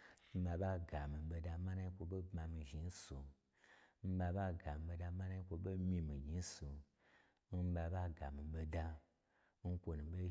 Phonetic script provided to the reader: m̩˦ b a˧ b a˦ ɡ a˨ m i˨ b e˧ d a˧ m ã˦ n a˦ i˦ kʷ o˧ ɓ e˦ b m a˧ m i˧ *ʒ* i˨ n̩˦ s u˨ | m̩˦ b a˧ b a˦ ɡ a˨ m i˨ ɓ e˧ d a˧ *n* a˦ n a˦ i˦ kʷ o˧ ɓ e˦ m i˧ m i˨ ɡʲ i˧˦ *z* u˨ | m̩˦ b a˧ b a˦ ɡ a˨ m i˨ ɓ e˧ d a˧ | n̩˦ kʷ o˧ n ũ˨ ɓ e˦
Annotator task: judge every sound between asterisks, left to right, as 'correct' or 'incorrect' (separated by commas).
correct, incorrect, incorrect